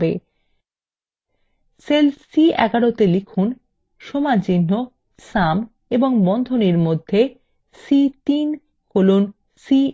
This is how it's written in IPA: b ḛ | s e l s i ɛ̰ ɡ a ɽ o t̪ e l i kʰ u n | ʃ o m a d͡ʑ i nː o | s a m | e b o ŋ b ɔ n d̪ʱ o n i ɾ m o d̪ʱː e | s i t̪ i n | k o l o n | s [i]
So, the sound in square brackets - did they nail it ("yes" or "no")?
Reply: yes